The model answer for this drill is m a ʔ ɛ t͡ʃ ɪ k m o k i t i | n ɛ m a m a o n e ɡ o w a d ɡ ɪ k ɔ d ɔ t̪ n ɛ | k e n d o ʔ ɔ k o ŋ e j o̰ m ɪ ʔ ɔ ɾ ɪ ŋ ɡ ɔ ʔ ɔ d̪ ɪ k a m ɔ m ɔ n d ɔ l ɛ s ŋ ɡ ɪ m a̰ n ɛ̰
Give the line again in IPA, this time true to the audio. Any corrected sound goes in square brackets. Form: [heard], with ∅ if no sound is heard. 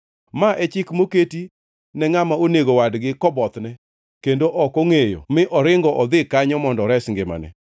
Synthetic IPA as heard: m a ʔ ɛ t͡ʃ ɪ k m o k [e] t i | n ɛ [ŋ] a m a o n e ɡ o w a d ɡ ɪ k ɔ [b] ɔ t̪ n ɛ | k e n d o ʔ ɔ k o ŋ e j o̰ m ɪ ʔ ɔ ɾ ɪ ŋ ɡ ɔ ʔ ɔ d̪ ɪ k a [ɲ] ɔ m ɔ n d ɔ [ɾ] ɛ s ŋ ɡ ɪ m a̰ n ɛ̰

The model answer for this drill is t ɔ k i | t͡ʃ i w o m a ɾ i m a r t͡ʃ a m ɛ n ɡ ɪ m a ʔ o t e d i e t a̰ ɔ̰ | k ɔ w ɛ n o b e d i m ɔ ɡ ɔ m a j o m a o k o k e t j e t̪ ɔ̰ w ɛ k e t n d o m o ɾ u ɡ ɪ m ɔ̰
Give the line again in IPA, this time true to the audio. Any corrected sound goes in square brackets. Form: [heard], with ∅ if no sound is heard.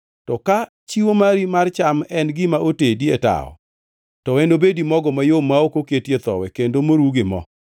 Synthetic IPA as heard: t ɔ k [a] | t͡ʃ i w o m a ɾ i m a r t͡ʃ a m ɛ n ɡ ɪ m a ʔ o t e d i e t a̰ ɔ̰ | [t] ɔ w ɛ n o b e d i m ɔ ɡ ɔ m a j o m a o k o k e t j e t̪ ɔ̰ w ɛ k e [∅] n d o m o ɾ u ɡ ɪ m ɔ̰

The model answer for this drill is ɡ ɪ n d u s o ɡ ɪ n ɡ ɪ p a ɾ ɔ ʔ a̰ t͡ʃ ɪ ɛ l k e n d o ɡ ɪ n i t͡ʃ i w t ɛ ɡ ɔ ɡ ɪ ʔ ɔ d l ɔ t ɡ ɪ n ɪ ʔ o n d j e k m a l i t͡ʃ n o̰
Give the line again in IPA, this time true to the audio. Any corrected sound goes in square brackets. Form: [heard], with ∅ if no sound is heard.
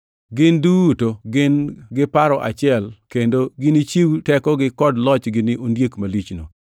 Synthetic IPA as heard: ɡ ɪ n d u [t] o ɡ ɪ n ɡ ɪ p a ɾ ɔ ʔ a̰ t͡ʃ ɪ ɛ l k e n d o ɡ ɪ n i t͡ʃ i w t ɛ [k] ɔ ɡ ɪ [k] ɔ d l ɔ [t͡ʃ] ɡ ɪ n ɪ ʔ o n d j e k m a l i t͡ʃ n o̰

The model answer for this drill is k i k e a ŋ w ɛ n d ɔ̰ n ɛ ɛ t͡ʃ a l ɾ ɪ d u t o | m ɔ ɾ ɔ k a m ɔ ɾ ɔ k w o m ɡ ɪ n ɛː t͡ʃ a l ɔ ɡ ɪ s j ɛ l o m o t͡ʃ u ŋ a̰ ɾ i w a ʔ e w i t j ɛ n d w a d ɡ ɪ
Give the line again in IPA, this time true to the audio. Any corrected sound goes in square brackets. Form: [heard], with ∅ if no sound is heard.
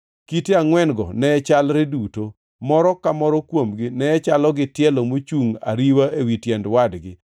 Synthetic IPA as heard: k i [t] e a ŋ w ɛ n [ɡ] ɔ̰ n ɛ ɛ t͡ʃ a l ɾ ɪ d u t o | m ɔ ɾ ɔ k a m ɔ ɾ ɔ k w o m ɡ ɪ n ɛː t͡ʃ a l ɔ ɡ ɪ [t] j ɛ l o m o t͡ʃ u ŋ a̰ ɾ i w a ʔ e w i t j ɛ n d w a d ɡ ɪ

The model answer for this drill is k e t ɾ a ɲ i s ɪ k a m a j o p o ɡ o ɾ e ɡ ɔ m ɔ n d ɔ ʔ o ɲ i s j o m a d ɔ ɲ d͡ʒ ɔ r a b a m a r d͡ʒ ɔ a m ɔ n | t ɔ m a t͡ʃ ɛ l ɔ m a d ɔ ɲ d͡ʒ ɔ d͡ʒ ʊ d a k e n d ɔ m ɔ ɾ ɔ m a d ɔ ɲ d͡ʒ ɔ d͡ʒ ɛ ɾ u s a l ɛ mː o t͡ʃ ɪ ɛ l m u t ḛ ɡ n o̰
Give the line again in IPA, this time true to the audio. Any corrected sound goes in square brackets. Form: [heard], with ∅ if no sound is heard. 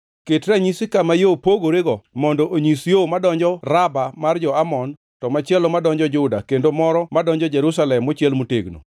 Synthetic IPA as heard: k e t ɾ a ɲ i s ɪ k a m a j o p o ɡ o ɾ e ɡ ɔ m ɔ n d ɔ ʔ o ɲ i s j o m a d ɔ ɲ d͡ʒ ɔ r a b a m a r d͡ʒ ɔ a m ɔ n | t ɔ m a t͡ʃ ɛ l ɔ m a d ɔ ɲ d͡ʒ ɔ d͡ʒ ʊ d a k e n d [o] m ɔ ɾ ɔ m a d ɔ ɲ d͡ʒ ɔ d͡ʒ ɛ ɾ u s a l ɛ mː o t͡ʃ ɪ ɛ l m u t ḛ ɡ n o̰

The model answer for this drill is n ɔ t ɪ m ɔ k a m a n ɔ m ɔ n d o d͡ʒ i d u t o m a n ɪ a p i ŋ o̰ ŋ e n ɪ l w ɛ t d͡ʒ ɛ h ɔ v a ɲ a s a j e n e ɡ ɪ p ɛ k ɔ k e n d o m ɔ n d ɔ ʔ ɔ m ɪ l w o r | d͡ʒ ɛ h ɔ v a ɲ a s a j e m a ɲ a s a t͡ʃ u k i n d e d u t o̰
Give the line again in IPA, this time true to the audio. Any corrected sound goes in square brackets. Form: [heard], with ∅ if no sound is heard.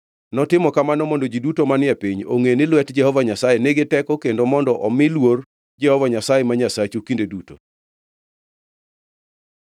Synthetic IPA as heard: n ɔ t ɪ m ɔ k a m a n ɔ m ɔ n d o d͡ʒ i d u t o m a n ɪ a p i [ɲ] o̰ ŋ e n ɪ l w ɛ t d͡ʒ ɛ h ɔ v a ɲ a s a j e n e ɡ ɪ [t] ɛ k ɔ k e n d o m ɔ n d ɔ ʔ ɔ m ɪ l w o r | d͡ʒ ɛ h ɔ v a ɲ a s a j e m a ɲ a s a t͡ʃ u k i n d e d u t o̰

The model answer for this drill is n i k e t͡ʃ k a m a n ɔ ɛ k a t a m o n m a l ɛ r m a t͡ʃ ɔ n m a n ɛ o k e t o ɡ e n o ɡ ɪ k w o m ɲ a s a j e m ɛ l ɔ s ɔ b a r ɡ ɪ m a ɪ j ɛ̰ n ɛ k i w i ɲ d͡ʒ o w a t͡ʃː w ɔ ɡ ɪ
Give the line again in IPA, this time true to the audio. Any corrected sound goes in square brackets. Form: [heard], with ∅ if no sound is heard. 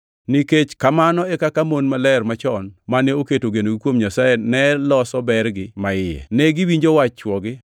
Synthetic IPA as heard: n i k e t͡ʃ k a m a n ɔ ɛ k a [k] a m o n m a l ɛ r m a t͡ʃ ɔ n m a n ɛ o k e t o ɡ e n o ɡ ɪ k w o m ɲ a s a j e [n] ɛ l ɔ s ɔ b [ɛ] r ɡ ɪ m a ɪ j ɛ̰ n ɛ [ɡ] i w i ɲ d͡ʒ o w a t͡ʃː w ɔ ɡ ɪ

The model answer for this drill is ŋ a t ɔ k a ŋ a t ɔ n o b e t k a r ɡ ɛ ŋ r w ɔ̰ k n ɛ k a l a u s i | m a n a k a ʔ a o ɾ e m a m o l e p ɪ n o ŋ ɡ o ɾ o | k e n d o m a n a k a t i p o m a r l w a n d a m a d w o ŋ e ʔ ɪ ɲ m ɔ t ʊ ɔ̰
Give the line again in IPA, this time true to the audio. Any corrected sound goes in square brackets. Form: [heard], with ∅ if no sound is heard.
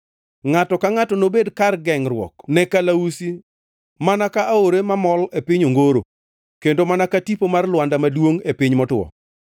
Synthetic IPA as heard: ŋ a t ɔ k a ŋ a t ɔ n o b e [d] k a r ɡ ɛ ŋ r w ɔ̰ k n ɛ k a l a u s i | m a n a k a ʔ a o ɾ e m a m [ɔ] l e p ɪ [ɲ] o ŋ ɡ o ɾ o | k e n d o m a n a k a t i p o m a r l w a n d a m a d w o ŋ e [p] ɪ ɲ m ɔ t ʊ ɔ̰

